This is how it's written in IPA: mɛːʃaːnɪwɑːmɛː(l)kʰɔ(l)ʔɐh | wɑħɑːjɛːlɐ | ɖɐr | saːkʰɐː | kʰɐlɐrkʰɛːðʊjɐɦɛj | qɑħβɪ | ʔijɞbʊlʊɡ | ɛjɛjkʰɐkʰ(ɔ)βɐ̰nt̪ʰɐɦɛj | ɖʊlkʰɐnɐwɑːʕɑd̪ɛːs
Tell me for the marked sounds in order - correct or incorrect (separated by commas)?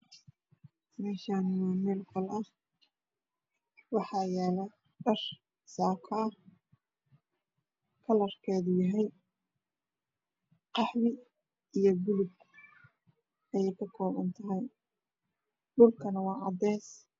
correct, correct, incorrect